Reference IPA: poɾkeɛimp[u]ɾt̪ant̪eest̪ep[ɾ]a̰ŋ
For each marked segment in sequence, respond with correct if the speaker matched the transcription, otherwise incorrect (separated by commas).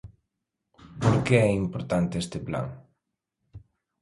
incorrect, incorrect